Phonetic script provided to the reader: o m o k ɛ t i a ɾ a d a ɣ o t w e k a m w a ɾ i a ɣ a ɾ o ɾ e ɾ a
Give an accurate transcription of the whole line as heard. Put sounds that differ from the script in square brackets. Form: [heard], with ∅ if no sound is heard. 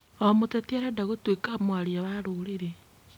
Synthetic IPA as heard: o m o [t] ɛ t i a ɾ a d a ɣ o t w e k a m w a ɾ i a [w] a ɾ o ɾ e ɾ [e]